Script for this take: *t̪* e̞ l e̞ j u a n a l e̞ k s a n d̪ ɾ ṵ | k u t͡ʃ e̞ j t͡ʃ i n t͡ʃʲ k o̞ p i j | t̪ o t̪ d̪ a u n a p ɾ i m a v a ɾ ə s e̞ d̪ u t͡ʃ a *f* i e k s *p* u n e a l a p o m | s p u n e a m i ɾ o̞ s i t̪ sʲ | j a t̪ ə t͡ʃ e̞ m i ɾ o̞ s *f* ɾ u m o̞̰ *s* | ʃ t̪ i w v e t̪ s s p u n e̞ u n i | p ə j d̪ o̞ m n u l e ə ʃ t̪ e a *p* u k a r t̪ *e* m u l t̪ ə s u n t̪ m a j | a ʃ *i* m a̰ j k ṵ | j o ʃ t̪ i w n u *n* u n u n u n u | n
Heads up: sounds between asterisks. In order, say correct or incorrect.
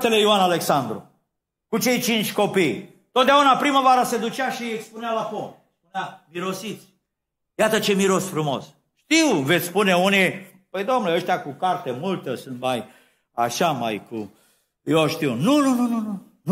correct, incorrect: ʃ, correct, correct, correct, incorrect: k, correct, incorrect: a, correct

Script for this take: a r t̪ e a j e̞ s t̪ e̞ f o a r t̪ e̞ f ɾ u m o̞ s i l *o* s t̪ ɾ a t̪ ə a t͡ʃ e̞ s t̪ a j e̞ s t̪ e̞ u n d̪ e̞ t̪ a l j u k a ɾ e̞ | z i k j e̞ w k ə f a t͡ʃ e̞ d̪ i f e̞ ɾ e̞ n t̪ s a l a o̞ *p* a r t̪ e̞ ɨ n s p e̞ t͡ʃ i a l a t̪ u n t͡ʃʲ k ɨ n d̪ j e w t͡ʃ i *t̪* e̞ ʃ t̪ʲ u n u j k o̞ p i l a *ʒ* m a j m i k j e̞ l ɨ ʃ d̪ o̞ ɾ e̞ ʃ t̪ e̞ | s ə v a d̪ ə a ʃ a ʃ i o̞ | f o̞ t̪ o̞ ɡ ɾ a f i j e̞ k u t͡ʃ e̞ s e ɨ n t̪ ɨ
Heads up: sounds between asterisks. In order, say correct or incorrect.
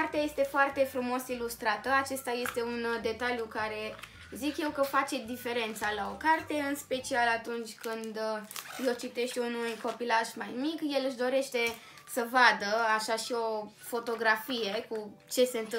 incorrect: u, incorrect: k, correct, correct

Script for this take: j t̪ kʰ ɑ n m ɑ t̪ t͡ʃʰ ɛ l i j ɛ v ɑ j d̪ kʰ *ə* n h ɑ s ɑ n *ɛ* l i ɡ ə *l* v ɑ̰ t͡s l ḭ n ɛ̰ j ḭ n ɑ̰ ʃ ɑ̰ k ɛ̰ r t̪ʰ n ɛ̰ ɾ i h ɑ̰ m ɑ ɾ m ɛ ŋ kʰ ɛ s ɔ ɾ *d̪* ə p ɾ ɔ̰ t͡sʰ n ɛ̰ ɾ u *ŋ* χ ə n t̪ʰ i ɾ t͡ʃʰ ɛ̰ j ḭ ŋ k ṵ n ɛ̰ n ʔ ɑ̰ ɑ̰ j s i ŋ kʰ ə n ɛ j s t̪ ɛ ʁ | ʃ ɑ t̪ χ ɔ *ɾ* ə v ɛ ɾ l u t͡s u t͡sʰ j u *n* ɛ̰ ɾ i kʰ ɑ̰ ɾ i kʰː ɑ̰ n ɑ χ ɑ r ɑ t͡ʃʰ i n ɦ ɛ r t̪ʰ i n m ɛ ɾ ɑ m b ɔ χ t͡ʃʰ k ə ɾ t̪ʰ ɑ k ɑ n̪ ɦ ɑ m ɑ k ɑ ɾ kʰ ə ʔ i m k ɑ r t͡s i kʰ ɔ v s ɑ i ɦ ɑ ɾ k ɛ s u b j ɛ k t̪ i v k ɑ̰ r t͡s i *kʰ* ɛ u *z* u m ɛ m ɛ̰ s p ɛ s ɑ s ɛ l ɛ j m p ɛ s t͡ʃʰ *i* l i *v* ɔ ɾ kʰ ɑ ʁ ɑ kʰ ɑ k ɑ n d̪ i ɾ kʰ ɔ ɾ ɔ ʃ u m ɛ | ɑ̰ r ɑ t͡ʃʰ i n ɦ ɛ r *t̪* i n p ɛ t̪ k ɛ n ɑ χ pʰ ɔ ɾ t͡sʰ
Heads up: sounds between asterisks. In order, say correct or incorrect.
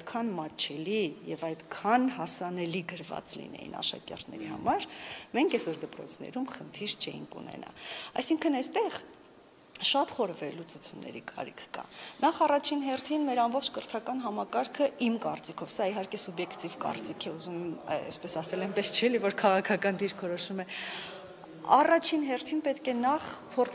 incorrect: ɑ, correct, incorrect: ɾ, correct, incorrect: m, correct, incorrect: nː, correct, correct, incorrect: ɛ, correct, incorrect: t̪ʰ

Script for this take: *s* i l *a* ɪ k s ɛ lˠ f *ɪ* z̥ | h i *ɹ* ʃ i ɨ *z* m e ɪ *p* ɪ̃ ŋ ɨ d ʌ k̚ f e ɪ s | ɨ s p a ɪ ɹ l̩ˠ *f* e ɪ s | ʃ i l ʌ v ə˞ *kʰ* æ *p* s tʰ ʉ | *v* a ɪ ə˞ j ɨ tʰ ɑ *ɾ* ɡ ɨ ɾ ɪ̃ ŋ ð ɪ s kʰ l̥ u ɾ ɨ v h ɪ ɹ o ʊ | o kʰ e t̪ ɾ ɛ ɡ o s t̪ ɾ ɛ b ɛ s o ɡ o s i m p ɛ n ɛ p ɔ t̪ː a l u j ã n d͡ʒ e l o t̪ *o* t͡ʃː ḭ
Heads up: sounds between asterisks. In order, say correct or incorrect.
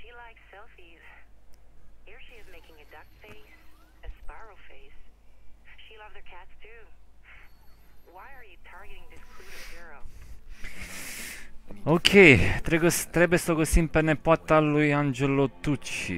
incorrect: ʃ, correct, incorrect: i, correct, correct, incorrect: k, correct, correct, incorrect: t, incorrect: w, incorrect: ɹ, incorrect: u

